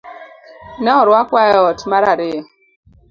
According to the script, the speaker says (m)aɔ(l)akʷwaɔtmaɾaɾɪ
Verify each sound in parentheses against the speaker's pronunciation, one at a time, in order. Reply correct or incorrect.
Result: incorrect, incorrect

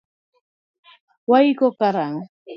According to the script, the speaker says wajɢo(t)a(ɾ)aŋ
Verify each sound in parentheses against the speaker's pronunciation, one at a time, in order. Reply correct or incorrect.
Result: incorrect, correct

